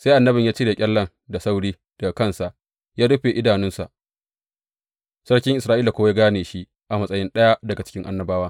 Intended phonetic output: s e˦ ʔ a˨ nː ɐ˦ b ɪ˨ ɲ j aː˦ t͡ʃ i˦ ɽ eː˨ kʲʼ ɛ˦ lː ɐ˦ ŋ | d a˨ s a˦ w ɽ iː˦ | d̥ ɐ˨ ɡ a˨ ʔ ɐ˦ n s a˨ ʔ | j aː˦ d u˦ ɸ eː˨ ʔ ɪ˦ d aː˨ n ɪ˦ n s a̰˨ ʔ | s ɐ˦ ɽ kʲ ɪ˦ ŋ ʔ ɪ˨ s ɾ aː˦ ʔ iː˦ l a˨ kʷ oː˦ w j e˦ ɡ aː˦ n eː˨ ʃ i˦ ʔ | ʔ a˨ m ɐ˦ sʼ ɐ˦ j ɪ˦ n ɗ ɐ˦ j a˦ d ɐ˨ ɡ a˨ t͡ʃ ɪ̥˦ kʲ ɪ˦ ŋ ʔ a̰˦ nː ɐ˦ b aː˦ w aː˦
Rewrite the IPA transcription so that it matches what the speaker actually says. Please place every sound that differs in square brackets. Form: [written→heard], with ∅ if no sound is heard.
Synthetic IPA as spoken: s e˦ ʔ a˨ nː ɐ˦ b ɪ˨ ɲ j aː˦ t͡ʃ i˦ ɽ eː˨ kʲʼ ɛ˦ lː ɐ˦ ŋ | d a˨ s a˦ w ɽ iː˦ | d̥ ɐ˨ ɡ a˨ [ʔ→k] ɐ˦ n s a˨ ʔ | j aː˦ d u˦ ɸ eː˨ ʔ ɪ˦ d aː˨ n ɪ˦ n s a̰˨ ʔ | s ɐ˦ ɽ kʲ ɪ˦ ŋ ʔ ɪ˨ s ɾ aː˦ ʔ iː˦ l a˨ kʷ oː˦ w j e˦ ɡ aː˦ n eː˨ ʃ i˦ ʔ | ʔ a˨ m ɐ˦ sʼ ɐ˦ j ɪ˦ n ɗ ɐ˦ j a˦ d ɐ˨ ɡ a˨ t͡ʃ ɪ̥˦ kʲ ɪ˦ ŋ ʔ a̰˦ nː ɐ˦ b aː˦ w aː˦